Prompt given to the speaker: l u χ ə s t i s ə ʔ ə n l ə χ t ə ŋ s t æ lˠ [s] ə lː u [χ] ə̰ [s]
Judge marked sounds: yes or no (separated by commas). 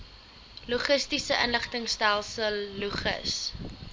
yes, yes, yes